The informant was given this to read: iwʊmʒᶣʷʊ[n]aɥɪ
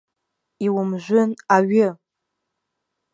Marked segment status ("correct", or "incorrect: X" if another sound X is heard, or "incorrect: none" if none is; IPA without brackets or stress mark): correct